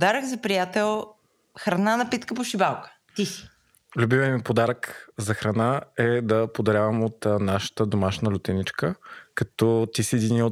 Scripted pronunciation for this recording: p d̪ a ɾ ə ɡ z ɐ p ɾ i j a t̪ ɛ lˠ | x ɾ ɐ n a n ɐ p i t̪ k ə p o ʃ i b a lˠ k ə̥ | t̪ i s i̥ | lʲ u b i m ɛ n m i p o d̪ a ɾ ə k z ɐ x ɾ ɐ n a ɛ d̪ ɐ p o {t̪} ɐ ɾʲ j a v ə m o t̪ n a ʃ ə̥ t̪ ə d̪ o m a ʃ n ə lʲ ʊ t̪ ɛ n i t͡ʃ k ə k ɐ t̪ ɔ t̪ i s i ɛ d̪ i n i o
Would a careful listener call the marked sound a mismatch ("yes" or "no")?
yes